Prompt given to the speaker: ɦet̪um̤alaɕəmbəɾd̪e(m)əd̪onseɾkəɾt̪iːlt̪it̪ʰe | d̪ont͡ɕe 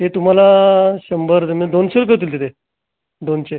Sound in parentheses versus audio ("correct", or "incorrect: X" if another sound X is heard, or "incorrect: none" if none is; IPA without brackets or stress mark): correct